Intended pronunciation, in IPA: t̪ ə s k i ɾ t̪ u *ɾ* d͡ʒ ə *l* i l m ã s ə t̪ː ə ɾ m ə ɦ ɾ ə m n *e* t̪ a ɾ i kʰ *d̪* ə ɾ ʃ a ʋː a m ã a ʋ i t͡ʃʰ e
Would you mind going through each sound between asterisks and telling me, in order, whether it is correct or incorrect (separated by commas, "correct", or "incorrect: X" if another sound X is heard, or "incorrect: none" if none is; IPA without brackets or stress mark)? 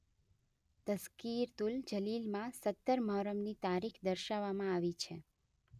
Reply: incorrect: l, correct, incorrect: i, correct